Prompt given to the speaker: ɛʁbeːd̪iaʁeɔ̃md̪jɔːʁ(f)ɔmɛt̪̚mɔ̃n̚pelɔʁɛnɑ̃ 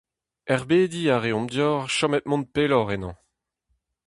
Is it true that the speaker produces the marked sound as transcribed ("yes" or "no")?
no